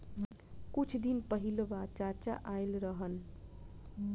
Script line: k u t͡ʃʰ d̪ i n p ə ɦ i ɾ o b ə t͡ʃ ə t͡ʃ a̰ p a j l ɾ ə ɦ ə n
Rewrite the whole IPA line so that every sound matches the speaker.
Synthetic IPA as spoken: k u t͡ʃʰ d̪ i n p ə ɦ i l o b a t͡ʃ a t͡ʃ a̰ ʔ a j l ɾ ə ɦ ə n